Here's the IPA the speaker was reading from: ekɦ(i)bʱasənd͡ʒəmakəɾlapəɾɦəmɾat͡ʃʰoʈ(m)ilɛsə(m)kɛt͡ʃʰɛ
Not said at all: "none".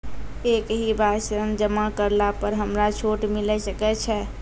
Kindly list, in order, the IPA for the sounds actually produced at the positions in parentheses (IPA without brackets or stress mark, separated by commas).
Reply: i, m, none